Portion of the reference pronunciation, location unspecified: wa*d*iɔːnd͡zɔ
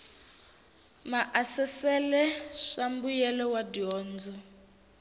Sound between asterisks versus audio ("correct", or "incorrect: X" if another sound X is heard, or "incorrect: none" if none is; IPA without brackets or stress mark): correct